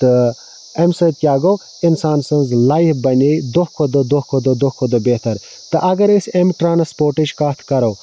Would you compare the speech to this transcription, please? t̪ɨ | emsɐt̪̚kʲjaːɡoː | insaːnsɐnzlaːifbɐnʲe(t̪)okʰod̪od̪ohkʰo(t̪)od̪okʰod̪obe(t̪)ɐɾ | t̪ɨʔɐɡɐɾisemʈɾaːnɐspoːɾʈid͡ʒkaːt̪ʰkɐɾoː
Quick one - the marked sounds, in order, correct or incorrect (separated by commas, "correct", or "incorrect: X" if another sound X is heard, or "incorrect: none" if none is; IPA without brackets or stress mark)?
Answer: incorrect: d̪, incorrect: d̪, correct